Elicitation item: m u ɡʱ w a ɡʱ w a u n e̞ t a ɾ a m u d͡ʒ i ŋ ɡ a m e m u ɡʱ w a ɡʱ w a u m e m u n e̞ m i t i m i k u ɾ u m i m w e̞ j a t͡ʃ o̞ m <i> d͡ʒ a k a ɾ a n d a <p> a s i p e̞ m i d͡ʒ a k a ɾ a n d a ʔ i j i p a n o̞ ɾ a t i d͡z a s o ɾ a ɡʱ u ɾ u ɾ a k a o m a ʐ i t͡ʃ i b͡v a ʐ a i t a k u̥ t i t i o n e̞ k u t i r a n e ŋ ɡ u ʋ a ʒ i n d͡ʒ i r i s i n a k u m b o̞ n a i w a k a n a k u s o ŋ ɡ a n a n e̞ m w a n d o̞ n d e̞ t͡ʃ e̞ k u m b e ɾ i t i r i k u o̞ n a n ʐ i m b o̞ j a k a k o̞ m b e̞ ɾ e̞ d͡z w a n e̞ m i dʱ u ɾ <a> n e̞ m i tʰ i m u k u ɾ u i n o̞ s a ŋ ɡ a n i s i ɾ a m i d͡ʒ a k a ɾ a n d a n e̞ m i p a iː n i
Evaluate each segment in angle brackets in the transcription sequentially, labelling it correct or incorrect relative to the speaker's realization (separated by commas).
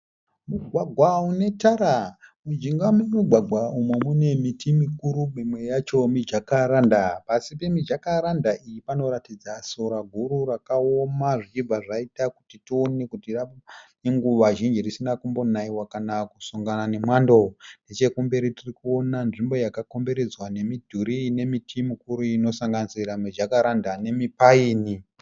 correct, correct, incorrect